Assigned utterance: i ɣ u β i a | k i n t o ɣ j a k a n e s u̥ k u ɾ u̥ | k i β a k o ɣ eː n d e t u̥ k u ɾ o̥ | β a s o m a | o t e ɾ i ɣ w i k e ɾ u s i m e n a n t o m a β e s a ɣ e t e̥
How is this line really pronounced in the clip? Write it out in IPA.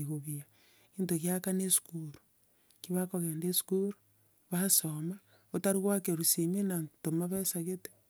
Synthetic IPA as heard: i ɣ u β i a | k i n t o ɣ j a k a n e s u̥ k u ɾ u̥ | k i β a k o ɣ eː n d e s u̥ k u ɾ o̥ | β a s o m a | o t a ɾ i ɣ w a k e ɾ u s i m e n a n t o m a β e s a ɣ e t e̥